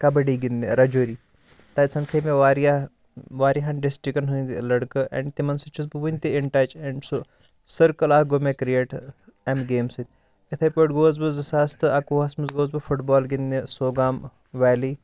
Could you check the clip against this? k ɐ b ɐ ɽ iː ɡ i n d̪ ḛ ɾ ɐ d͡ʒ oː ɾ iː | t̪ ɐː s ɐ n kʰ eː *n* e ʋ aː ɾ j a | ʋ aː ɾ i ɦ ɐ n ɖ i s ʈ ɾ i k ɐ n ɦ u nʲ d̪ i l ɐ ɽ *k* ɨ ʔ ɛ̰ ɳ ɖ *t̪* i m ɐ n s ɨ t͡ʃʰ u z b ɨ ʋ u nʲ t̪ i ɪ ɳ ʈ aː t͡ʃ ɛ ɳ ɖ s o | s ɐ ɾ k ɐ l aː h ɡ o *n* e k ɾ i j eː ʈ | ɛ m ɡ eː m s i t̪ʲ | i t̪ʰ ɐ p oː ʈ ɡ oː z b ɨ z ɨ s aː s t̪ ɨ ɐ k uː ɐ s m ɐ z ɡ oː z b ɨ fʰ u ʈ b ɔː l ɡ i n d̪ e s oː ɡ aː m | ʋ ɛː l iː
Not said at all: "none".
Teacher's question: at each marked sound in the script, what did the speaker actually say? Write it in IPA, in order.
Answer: m, k, t̪, m

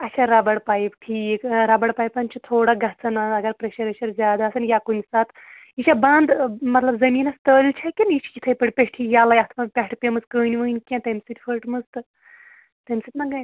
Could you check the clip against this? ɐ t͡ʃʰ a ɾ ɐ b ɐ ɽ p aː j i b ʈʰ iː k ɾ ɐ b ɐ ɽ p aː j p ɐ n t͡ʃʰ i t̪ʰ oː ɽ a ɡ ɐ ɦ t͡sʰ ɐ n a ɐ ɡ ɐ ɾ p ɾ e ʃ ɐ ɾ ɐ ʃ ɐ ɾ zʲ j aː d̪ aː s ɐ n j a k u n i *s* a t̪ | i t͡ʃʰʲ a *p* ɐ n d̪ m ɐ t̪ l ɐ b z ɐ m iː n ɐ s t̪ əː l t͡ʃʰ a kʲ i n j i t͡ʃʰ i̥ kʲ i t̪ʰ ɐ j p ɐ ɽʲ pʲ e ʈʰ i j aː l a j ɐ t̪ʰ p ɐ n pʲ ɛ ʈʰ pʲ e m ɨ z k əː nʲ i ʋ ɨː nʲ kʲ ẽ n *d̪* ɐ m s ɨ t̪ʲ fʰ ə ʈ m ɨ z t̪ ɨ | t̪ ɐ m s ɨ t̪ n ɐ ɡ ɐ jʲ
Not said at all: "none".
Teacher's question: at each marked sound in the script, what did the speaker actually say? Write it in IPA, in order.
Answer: s, b, t̪

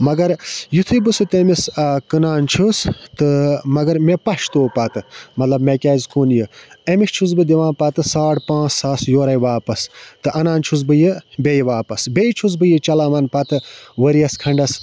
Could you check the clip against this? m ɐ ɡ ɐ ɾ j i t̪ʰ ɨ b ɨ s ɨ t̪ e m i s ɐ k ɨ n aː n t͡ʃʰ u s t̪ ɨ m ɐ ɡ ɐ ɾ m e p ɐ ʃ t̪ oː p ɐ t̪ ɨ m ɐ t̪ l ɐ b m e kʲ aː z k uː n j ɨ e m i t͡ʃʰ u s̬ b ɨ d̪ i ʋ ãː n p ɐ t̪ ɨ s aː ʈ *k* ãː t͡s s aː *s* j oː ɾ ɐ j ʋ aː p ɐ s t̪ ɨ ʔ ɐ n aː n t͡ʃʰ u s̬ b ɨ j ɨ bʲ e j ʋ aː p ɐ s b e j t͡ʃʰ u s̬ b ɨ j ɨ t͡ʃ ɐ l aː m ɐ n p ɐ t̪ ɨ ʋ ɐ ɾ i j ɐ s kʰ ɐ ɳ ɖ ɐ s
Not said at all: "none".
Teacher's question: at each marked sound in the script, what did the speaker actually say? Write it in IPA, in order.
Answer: p, s

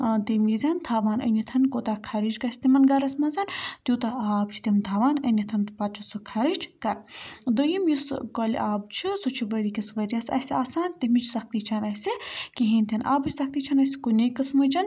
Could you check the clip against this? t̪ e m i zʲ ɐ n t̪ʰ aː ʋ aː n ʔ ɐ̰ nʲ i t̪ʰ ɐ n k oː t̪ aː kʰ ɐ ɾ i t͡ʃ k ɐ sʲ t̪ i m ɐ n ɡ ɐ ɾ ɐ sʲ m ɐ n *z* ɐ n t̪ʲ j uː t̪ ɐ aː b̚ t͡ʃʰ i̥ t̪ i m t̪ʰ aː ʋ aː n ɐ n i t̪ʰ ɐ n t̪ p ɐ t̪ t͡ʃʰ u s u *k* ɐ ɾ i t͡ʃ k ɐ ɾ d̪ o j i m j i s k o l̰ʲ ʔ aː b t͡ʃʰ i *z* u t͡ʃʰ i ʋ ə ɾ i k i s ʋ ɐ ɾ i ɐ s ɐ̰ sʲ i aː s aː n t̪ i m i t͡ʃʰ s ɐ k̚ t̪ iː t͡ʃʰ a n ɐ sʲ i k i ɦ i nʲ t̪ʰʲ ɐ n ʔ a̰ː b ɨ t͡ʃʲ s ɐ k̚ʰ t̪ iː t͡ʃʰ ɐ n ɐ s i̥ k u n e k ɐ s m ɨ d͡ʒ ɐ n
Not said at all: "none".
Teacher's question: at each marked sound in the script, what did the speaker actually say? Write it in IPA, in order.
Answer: z, kʰ, s

